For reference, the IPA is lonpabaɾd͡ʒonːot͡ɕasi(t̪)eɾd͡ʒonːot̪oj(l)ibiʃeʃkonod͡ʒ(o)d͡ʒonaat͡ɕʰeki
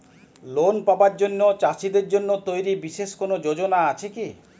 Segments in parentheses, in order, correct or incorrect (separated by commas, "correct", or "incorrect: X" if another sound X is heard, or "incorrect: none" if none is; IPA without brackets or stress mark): incorrect: d̪, incorrect: ɾ, correct